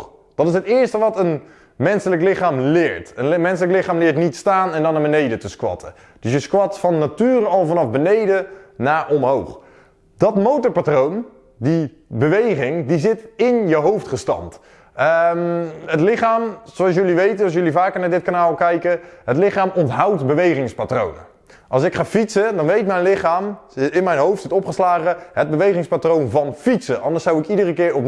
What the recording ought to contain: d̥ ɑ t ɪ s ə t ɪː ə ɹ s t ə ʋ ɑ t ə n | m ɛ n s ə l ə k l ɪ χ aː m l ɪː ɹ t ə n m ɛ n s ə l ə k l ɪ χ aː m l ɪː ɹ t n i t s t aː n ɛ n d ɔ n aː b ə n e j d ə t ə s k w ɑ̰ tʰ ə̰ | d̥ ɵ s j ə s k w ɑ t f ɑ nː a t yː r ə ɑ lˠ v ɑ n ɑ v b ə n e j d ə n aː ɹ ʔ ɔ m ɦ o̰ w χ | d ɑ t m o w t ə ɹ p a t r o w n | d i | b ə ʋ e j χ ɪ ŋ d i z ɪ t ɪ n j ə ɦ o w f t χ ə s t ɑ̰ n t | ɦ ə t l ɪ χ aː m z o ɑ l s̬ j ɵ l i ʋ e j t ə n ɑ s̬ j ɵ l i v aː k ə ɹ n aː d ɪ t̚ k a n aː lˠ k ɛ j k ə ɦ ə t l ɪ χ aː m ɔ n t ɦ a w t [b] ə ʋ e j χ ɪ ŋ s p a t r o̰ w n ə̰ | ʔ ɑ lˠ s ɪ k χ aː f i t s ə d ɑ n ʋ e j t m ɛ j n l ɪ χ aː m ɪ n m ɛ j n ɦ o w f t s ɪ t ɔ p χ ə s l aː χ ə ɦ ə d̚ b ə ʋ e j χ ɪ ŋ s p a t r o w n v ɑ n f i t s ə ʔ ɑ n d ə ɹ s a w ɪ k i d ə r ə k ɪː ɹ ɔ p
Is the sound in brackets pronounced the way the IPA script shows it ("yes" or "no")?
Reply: yes